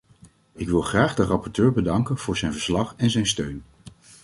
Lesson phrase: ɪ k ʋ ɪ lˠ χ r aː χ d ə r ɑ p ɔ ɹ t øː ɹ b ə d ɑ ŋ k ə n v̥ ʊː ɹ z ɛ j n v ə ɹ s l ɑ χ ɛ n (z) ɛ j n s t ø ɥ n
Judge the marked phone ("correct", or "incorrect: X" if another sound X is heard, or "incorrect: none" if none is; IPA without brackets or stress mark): correct